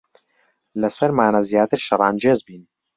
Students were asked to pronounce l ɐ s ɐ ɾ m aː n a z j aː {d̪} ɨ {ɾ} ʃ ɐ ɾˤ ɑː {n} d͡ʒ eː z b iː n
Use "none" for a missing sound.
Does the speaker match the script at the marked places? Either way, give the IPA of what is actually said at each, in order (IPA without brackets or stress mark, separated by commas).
t̪, ɾ, n